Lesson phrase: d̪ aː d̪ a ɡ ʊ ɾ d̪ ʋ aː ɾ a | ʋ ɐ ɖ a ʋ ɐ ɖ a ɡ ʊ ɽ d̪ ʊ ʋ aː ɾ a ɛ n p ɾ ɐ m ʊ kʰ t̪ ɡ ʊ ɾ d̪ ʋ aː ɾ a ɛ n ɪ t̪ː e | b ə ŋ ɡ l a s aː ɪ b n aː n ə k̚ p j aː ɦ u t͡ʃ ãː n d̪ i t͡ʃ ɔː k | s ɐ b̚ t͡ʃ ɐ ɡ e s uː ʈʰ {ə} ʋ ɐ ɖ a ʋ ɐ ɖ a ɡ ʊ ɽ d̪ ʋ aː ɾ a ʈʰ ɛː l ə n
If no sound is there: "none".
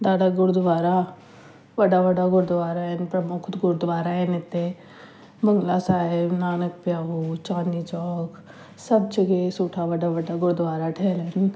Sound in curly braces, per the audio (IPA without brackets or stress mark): a